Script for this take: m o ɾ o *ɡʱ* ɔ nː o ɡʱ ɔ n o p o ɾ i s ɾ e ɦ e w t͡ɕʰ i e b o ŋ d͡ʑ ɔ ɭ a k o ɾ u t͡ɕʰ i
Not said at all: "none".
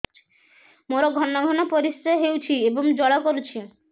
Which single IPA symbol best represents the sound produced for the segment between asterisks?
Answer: ɡʱ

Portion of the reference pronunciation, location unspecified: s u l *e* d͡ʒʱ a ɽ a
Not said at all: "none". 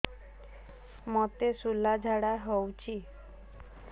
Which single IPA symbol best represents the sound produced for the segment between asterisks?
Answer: a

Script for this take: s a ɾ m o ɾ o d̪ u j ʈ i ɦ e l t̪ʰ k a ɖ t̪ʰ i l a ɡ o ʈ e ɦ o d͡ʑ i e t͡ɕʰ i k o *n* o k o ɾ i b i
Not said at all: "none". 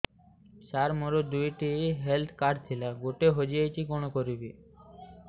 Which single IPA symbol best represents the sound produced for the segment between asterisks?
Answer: n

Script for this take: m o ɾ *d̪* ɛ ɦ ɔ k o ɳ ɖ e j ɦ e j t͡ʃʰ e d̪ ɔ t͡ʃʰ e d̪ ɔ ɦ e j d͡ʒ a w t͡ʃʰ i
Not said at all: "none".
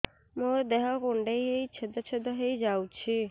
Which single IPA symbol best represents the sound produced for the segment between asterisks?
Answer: d̪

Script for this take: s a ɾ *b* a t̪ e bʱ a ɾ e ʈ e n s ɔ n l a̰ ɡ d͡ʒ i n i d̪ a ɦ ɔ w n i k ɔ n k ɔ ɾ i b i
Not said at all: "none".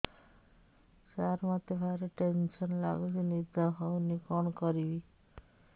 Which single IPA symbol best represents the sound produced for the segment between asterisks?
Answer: m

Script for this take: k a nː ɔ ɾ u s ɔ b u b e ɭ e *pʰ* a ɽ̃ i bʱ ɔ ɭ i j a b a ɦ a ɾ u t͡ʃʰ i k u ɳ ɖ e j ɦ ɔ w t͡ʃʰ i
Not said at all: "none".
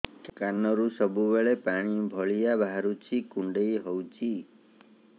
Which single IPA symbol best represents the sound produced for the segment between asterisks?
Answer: p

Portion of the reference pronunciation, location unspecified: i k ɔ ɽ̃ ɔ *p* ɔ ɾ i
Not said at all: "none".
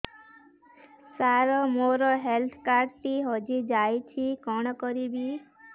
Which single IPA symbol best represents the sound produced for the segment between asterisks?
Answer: k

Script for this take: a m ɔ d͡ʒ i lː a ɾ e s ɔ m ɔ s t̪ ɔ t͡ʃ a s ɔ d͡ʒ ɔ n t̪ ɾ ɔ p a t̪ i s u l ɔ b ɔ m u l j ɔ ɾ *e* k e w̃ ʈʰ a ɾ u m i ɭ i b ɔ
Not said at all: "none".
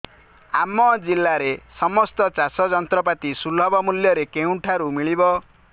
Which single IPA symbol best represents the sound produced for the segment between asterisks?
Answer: e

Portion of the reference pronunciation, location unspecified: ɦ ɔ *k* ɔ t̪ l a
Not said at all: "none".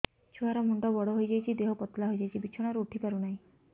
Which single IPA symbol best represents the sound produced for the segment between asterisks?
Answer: p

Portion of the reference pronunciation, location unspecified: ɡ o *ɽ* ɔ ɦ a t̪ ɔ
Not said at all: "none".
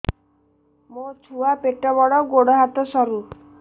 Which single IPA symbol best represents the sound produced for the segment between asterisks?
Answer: ɽ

